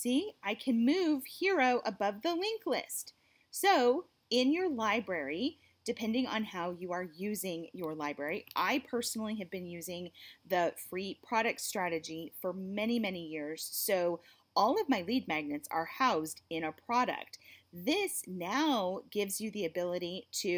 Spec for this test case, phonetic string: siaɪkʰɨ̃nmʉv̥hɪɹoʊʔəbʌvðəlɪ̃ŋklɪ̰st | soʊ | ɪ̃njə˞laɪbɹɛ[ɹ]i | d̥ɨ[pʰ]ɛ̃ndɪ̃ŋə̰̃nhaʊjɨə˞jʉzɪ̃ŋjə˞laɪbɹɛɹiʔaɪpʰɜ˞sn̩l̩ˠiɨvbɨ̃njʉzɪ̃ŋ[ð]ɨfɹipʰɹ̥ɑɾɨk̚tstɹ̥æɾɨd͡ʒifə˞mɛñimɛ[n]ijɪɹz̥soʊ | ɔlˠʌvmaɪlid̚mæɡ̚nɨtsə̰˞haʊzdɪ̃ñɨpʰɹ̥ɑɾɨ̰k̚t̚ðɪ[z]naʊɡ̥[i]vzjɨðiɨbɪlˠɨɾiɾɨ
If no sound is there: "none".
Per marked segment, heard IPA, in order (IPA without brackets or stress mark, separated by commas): ɹ, pʰ, ð, n, s, ɪ